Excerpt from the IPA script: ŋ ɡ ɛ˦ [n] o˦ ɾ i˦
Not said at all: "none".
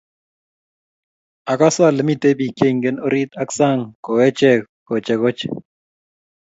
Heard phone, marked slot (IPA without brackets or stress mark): n